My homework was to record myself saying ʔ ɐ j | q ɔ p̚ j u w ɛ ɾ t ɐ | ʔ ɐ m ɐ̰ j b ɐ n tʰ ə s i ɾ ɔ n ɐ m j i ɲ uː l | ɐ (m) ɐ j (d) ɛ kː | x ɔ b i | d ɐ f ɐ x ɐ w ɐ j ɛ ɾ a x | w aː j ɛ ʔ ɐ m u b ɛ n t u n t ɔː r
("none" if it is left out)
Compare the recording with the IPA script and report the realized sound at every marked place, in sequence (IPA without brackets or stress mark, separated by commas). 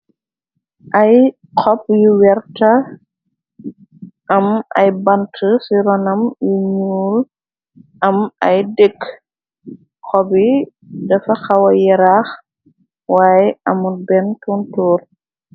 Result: m, d